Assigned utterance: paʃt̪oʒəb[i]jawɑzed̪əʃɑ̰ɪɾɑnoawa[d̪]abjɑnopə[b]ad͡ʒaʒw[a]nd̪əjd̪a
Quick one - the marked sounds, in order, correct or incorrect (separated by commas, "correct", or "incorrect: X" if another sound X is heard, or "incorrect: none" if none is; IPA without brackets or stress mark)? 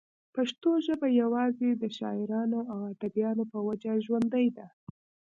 incorrect: a, correct, incorrect: w, correct